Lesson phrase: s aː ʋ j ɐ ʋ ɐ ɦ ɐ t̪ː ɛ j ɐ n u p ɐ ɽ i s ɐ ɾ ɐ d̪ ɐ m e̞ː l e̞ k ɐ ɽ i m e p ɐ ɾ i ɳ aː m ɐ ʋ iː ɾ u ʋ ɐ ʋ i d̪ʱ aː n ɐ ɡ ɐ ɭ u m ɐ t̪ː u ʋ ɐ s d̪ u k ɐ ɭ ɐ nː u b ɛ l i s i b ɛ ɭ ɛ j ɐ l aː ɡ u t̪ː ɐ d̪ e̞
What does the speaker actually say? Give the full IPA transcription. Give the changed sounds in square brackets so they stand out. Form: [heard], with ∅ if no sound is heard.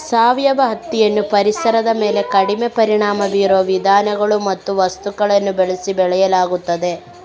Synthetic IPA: s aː ʋ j ɐ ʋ ɐ ɦ ɐ t̪ː [i] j ɐ [nː] u p ɐ [ɾ] i s ɐ ɾ ɐ d̪ ɐ m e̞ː l e̞ k ɐ ɽ i m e p ɐ ɾ i ɳ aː m ɐ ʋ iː ɾ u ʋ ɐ ʋ i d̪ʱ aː n ɐ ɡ ɐ ɭ u m ɐ t̪ː u ʋ ɐ s [t̪] u k ɐ ɭ ɐ nː u b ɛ [ɭ] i s i b ɛ ɭ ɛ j ɐ l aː ɡ u t̪ː ɐ d̪ e̞